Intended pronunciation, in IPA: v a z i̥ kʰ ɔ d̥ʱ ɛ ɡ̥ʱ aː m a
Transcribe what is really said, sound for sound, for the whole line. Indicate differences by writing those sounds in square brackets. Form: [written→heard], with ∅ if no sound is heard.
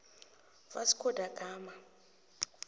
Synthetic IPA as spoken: v a [z→s] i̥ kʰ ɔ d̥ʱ [ɛ→a] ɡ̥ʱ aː m a